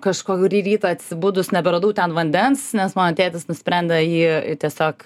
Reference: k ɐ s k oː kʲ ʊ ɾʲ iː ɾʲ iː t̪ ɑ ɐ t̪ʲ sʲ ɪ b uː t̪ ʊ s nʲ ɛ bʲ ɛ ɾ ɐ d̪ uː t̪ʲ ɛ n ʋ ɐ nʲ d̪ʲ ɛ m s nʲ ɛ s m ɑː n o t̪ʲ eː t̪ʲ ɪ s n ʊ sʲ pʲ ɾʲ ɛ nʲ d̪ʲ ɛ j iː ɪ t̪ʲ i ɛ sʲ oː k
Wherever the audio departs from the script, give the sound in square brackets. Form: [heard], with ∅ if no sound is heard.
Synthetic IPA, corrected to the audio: k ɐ [ʃ] k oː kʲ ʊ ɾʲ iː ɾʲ iː t̪ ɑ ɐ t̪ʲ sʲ ɪ b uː [d̪] ʊ s nʲ ɛ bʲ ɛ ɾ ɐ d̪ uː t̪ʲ ɛ n ʋ ɐ nʲ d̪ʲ ɛ [n] s nʲ ɛ s m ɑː n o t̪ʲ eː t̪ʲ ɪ s n ʊ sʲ pʲ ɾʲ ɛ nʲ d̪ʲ ɛ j iː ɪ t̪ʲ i ɛ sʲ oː k